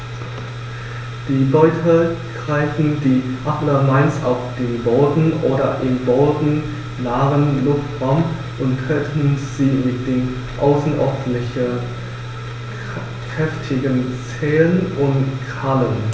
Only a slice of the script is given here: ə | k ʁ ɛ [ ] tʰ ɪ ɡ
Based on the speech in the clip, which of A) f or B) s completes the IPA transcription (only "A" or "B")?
A